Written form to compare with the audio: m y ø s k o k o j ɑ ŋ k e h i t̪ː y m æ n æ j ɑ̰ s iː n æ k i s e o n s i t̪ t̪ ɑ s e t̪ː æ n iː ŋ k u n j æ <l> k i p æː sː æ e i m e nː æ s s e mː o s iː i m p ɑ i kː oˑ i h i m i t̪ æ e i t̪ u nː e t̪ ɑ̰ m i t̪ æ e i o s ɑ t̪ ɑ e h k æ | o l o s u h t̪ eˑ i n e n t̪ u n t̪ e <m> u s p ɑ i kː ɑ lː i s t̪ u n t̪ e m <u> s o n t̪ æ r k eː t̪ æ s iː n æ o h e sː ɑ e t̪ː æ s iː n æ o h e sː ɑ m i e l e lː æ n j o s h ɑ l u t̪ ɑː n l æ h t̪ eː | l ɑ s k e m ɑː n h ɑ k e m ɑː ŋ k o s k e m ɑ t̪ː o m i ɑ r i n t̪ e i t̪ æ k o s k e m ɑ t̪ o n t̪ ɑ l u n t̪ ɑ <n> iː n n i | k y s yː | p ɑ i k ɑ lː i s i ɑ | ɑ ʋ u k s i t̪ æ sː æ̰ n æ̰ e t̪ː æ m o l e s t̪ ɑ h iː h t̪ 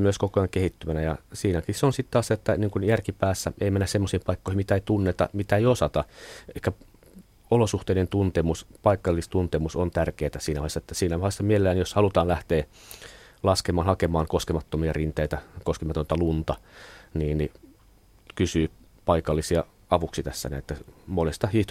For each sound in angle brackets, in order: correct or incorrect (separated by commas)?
incorrect, correct, correct, correct